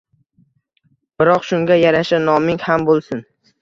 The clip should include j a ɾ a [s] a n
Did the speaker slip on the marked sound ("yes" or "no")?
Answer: yes